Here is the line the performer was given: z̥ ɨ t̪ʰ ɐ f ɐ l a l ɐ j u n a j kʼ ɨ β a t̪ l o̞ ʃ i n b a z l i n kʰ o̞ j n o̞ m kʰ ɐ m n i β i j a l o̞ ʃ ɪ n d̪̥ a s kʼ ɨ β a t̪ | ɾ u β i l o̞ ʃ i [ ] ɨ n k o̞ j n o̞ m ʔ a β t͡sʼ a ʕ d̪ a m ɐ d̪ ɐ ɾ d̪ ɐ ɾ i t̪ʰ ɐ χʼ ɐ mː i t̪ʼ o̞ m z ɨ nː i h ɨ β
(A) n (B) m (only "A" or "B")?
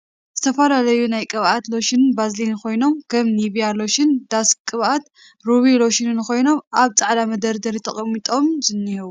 A